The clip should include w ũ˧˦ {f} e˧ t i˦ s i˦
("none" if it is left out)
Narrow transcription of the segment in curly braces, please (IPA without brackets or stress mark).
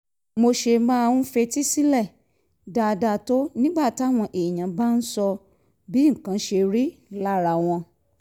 f